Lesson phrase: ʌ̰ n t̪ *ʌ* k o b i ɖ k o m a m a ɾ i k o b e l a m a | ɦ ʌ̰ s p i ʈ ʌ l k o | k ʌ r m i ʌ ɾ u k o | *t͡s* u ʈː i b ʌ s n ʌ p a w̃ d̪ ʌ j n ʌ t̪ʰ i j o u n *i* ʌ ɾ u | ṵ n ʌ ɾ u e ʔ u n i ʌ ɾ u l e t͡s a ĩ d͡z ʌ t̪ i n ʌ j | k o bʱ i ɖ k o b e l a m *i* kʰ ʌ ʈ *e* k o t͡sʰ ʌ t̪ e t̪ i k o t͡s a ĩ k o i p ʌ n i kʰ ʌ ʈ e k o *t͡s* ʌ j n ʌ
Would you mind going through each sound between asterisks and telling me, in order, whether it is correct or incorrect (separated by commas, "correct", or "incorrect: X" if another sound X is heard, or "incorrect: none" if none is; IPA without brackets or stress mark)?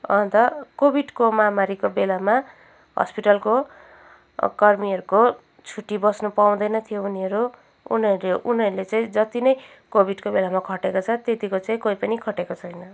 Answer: correct, incorrect: t͡sʰ, correct, incorrect: a, correct, incorrect: t͡sʰ